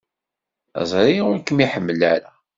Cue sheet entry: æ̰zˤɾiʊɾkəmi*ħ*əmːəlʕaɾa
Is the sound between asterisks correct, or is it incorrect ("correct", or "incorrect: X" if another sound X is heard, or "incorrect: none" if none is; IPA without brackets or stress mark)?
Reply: correct